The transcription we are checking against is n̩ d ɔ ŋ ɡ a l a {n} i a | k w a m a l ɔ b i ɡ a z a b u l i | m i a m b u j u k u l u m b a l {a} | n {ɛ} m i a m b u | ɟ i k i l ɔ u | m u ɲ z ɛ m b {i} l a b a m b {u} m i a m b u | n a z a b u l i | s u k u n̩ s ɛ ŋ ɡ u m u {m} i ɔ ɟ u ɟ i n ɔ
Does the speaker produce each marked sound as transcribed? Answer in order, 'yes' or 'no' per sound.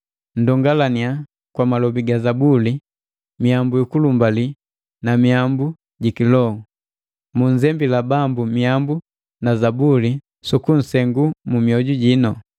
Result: yes, no, no, yes, yes, yes

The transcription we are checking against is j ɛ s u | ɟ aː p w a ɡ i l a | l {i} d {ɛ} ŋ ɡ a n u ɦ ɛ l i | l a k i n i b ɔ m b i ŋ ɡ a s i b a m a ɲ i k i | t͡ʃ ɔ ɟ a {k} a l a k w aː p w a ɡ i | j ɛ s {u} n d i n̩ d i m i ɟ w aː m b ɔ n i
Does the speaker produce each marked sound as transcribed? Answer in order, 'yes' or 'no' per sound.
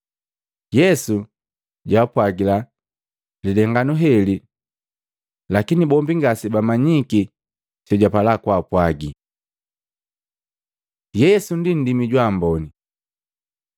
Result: yes, yes, no, yes

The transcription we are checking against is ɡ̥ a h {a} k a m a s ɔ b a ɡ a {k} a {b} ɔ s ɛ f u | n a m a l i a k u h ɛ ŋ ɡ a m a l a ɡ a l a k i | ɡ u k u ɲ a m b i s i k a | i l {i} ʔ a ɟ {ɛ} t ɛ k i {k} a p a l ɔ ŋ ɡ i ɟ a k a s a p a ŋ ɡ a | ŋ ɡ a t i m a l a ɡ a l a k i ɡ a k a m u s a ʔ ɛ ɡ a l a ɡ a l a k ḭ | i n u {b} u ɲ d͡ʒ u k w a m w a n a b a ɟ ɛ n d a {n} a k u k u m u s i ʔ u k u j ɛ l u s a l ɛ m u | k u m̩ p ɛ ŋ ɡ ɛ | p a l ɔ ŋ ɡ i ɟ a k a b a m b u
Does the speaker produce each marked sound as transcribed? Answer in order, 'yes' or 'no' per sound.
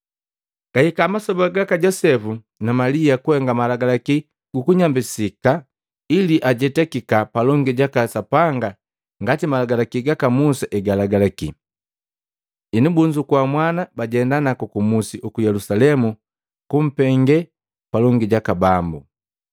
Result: no, yes, no, yes, yes, yes, yes, yes

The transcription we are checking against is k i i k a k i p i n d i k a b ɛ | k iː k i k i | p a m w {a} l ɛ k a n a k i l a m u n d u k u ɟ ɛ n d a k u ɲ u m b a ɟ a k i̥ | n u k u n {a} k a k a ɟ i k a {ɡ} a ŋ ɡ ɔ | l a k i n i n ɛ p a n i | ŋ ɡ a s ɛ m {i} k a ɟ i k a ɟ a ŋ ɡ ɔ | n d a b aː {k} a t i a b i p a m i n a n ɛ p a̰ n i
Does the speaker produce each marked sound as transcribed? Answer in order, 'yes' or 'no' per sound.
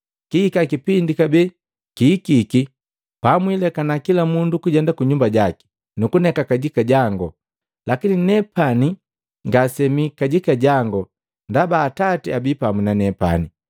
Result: no, no, no, yes, no

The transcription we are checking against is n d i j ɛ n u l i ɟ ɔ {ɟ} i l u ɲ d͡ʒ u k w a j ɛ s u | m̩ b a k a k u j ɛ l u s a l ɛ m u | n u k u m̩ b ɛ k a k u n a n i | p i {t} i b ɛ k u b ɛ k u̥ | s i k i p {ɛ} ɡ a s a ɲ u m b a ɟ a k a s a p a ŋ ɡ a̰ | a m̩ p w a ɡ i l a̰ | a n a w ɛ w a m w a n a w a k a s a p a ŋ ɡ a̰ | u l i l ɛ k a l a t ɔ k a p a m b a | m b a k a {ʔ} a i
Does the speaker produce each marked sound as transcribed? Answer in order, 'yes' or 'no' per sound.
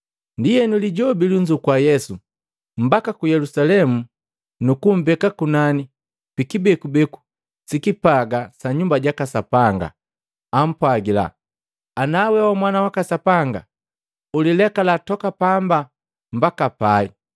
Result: no, no, no, no

